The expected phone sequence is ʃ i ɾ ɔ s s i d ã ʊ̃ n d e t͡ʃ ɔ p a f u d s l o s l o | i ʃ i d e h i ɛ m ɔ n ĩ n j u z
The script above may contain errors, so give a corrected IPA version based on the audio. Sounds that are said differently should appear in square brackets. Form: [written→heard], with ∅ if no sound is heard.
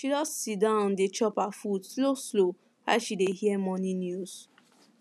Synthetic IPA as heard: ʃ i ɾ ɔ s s i d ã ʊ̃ n d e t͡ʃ ɔ p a f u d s l o s l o | [i→a] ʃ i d e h i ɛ m ɔ n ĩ n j u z

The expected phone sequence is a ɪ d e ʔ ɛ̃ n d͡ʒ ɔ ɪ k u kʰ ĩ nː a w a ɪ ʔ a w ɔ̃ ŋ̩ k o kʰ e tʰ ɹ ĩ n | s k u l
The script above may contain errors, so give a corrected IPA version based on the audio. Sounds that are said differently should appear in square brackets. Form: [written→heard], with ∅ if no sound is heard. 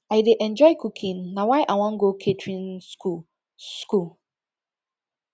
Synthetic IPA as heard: a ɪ d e ʔ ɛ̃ n d͡ʒ ɔ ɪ k u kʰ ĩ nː a w a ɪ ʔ a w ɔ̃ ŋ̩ [k→ɡ] o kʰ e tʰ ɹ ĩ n | s k u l

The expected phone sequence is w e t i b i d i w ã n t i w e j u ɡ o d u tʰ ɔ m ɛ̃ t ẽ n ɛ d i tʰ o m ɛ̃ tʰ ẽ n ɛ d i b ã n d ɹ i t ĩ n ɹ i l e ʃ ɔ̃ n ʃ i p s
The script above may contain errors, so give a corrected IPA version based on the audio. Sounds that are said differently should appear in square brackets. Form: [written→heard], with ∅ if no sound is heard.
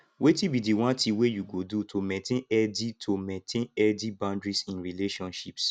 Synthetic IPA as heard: w e t i b i d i w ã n t i w e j u ɡ o d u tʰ [ɔ→o] m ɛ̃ t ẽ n ɛ d i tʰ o m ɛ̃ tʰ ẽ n ɛ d i b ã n d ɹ i [t→s] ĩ n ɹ i l e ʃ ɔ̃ n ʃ i p s

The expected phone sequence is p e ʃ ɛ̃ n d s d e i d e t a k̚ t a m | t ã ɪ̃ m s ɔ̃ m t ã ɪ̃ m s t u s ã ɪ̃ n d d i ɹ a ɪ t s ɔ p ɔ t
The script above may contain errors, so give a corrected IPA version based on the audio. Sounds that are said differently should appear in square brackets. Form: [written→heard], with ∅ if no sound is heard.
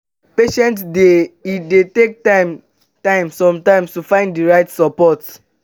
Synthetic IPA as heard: p e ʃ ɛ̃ n [d→t] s d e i d e t [a→e] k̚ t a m | t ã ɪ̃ m s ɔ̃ m t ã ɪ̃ m s t u [s→f] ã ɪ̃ n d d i ɹ a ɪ t s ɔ p ɔ t

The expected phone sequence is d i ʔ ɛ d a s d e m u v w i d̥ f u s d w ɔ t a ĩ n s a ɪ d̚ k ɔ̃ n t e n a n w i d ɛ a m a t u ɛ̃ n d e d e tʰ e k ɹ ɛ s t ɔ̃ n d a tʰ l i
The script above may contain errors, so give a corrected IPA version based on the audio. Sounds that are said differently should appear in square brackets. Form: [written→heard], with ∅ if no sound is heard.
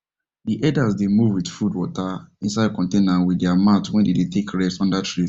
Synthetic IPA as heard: d i ʔ ɛ d a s d e m u v w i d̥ f u [s→∅] d w ɔ t a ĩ n s a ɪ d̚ k ɔ̃ n t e n a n w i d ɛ a m a t [u→w] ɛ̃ n d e d e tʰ e k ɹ ɛ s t ɔ̃ n d a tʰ [l→ɹ] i

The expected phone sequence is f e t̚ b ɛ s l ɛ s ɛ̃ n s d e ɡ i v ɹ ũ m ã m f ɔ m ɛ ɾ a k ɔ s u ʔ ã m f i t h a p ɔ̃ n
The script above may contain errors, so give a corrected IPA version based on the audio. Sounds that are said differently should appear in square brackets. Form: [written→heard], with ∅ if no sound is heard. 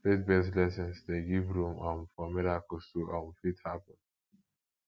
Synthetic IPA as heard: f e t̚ b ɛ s l ɛ s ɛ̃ n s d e ɡ i v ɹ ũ m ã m f ɔ m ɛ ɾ a k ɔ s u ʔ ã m f i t h a p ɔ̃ n

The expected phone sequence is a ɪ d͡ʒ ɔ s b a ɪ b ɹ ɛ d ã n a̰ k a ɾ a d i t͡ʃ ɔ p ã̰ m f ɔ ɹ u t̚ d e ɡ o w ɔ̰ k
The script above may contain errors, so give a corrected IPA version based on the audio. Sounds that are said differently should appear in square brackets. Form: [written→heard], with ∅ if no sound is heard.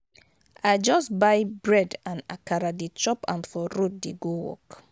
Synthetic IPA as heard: a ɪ d͡ʒ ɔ s b a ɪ b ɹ ɛ d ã n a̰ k a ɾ a d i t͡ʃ ɔ p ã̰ [m→n] f ɔ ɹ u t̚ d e ɡ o w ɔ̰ k

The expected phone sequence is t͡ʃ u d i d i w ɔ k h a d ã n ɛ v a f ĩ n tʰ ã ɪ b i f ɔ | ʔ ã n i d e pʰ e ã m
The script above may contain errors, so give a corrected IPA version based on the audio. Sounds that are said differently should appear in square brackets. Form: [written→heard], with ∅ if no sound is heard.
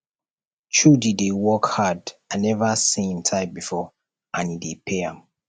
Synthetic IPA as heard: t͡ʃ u d i d [i→e] w ɔ k h a d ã n ɛ v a [f→s] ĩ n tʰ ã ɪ b i f ɔ | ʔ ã n i d e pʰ e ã m

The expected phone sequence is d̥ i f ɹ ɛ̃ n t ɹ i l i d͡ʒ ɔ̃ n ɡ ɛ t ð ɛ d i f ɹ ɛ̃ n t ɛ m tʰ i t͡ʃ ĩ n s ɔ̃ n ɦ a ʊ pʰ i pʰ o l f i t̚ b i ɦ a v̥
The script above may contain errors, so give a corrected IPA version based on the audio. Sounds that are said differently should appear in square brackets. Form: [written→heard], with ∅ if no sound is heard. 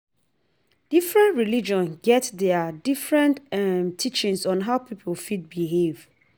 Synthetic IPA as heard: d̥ i f ɹ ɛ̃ n t ɹ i l i d͡ʒ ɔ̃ n ɡ ɛ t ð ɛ d i f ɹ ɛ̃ n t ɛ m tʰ i t͡ʃ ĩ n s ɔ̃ n ɦ a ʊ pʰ i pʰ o l f i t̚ b i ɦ [a→e] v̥

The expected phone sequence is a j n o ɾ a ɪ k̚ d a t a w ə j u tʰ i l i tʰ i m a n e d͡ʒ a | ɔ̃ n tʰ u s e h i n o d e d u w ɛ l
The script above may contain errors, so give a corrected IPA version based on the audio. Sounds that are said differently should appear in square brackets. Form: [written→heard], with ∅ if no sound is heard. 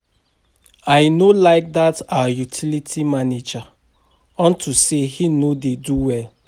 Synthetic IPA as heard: a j n o [ɾ→l] a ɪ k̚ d a t a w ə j u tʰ i l i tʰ i m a n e d͡ʒ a | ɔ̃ n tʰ u s e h i n o d e d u w ɛ l

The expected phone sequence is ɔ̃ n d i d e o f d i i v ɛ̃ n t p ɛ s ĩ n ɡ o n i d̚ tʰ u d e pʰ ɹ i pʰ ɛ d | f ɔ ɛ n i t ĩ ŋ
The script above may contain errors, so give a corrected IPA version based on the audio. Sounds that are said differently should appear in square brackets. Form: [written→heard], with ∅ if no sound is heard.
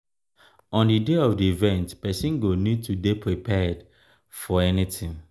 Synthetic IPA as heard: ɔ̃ n d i d e [o→ɔ] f d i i v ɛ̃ n t p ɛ s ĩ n ɡ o n i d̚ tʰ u d e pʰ ɹ i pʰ ɛ d | f ɔ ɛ n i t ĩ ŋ

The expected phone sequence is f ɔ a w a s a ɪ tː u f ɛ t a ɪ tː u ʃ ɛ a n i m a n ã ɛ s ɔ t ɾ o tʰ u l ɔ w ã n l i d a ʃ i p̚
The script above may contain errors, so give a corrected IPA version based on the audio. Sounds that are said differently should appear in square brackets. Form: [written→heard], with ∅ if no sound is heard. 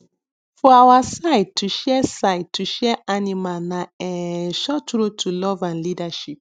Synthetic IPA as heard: f ɔ a w a s a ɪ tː u [f→ʃ] ɛ [t→s] a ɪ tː u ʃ ɛ a n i m a n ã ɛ [s→ʃ] ɔ t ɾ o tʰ u l ɔ [w→v] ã n l i d a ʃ i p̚

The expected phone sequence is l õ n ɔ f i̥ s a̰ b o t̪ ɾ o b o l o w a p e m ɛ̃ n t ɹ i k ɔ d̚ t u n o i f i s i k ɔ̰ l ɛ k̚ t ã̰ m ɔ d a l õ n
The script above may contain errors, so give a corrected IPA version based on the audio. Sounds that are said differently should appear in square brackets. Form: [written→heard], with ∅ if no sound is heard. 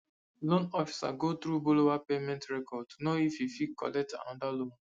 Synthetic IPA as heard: l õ n ɔ f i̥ s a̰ [b→ɡ] o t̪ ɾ [o→u] b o l o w a p e m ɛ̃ n t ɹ [i→ɛ] k ɔ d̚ t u n o i f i [s→f] i k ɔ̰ l ɛ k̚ t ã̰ [m→n] ɔ d a l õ n

